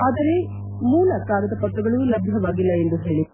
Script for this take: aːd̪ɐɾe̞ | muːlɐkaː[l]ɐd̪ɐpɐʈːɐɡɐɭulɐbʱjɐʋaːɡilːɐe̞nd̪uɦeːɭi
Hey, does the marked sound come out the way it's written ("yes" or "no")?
no